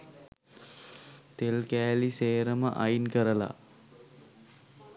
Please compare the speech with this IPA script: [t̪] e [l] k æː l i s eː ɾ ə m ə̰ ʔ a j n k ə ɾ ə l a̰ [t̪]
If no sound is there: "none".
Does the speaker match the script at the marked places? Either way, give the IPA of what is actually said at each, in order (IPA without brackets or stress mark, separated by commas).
t̪, l, none